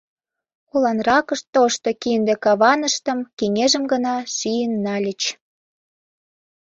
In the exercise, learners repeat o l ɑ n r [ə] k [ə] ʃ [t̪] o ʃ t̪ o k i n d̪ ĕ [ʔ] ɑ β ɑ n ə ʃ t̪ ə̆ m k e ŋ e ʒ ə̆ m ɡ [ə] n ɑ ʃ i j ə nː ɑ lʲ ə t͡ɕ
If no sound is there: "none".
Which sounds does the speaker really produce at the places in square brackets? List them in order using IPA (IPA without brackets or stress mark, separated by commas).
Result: ɑ, ə, t̪, k, ə